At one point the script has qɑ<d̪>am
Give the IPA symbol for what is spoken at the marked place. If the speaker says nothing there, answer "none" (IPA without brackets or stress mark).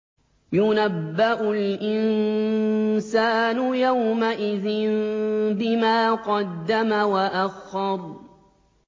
d̪ː